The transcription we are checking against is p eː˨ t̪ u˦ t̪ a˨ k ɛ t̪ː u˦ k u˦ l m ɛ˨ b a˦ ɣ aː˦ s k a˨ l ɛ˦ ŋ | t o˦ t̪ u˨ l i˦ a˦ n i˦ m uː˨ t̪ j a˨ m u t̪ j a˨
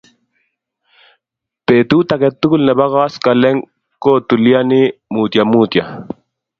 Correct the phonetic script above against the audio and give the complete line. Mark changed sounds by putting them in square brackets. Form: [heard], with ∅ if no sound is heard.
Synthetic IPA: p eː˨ t̪ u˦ t̪ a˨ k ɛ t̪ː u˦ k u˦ l [n] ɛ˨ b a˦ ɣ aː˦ s k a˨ l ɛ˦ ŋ | [k] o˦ t̪ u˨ l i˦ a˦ n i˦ m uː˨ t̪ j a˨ m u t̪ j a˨